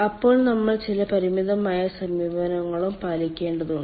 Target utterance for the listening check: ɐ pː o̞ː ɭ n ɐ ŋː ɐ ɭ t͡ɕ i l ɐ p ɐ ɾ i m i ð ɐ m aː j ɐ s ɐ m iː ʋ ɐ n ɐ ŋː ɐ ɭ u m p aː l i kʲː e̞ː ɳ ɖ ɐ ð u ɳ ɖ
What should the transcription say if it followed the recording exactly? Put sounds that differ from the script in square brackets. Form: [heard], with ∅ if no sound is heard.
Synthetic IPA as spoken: ɐ pː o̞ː ɭ n ɐ [mː] ɐ ɭ t͡ɕ i l ɐ p ɐ ɾ i m i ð ɐ m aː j ɐ s ɐ m iː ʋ ɐ n ɐ ŋː ɐ ɭ u m p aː l i kʲː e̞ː ɳ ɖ ɐ ð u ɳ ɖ